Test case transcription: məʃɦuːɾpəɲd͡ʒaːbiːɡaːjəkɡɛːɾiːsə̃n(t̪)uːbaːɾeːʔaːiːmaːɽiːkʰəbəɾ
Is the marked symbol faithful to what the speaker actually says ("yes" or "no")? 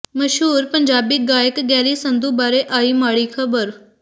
no